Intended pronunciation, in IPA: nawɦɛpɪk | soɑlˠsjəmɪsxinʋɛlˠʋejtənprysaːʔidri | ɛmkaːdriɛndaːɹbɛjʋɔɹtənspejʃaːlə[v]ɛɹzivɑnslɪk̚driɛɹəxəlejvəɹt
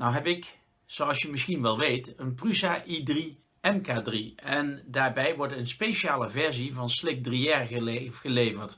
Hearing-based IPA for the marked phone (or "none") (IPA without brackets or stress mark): v